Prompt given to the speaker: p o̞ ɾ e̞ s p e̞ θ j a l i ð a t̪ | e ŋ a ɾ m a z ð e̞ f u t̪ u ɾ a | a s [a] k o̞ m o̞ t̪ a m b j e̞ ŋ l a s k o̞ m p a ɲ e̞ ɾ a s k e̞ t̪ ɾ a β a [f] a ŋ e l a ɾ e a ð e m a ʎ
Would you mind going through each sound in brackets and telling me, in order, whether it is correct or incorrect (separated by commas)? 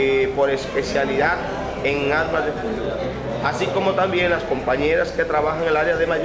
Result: incorrect, incorrect